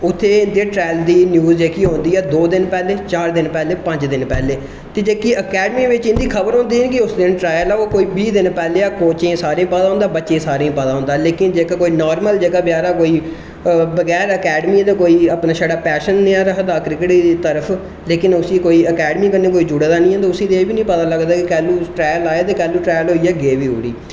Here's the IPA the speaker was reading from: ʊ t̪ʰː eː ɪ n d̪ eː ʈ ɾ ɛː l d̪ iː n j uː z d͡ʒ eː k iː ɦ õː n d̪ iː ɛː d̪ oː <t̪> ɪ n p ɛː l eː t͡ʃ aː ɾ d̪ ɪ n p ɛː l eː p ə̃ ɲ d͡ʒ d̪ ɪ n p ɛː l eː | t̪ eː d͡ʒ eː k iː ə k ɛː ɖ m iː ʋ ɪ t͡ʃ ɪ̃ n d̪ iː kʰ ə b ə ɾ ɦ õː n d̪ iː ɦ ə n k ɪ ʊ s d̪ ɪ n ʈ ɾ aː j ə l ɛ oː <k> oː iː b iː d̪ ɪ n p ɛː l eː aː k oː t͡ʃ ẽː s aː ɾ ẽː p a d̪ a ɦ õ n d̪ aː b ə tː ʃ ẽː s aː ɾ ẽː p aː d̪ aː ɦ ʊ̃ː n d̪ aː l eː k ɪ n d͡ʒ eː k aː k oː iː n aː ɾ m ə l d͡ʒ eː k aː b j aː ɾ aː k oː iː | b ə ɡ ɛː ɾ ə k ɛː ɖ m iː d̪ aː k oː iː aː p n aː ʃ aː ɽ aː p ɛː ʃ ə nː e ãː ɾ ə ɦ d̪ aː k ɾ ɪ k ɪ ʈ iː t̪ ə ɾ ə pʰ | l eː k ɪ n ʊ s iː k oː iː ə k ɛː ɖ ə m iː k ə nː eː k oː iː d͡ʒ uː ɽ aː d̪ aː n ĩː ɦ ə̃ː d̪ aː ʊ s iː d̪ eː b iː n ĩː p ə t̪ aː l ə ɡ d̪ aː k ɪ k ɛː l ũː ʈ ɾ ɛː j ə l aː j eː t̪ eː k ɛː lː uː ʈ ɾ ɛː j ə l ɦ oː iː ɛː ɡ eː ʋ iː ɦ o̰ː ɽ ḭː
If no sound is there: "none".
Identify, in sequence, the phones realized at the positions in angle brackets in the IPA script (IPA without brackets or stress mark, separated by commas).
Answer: d̪, k